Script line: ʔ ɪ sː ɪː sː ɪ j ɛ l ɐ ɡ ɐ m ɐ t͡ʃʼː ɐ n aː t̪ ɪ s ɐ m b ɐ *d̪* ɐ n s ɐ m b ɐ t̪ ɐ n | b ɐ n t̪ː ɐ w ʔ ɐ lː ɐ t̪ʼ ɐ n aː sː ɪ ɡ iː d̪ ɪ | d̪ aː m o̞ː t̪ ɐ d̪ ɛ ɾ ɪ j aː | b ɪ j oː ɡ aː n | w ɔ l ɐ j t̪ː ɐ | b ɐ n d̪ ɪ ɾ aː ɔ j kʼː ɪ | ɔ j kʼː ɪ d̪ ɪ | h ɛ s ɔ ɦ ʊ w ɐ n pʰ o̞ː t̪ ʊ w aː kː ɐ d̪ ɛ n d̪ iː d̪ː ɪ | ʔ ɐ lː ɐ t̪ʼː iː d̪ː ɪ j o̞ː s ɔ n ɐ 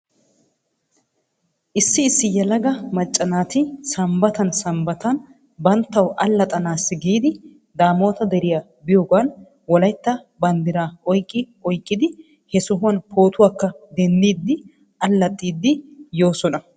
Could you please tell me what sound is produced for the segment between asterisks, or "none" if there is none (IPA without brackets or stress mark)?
t̪